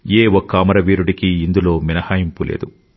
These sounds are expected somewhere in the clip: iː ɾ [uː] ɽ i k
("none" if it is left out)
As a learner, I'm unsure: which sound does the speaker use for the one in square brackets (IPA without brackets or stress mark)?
u